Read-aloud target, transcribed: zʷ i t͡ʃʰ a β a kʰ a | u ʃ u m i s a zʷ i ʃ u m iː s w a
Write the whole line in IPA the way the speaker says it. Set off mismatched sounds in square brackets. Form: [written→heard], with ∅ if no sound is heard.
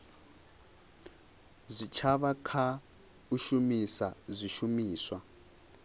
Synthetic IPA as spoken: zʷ i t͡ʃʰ a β a kʰ a | u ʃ u m i s a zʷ i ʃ u m iː s w a